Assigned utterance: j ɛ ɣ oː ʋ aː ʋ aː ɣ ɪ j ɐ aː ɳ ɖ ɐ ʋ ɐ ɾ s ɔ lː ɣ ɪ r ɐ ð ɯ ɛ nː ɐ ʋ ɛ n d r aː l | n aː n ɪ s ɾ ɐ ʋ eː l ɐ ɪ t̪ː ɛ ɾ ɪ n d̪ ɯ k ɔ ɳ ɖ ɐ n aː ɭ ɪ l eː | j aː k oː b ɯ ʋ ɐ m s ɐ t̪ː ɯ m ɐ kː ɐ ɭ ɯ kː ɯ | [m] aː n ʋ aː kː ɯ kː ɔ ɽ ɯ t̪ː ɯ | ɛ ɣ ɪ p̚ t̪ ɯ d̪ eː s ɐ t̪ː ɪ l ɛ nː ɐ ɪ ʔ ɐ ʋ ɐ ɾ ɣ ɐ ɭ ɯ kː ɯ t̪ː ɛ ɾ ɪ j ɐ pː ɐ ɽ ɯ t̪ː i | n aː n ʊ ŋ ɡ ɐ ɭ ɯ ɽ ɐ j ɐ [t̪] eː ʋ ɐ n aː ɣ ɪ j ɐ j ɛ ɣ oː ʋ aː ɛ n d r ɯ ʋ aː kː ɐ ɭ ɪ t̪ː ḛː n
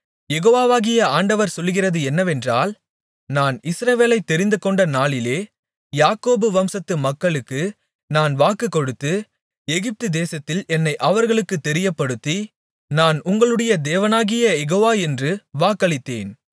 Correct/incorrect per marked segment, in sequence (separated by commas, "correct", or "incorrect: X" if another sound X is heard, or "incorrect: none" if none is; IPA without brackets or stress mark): incorrect: n, incorrect: d̪